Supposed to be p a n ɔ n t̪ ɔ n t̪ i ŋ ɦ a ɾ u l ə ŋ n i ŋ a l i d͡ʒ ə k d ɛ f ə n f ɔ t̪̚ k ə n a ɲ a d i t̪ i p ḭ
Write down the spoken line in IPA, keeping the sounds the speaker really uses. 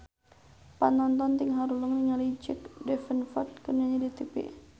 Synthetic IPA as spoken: p a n ɔ n t̪ ɔ n t̪ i ŋ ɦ a ɾ u l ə ŋ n i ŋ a l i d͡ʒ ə k d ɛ f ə n f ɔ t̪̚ k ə n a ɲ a d i t̪ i p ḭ